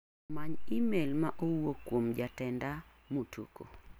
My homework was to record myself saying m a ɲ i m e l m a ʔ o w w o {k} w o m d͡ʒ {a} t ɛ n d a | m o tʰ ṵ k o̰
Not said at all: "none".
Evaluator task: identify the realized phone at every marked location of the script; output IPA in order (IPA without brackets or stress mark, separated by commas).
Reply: k, a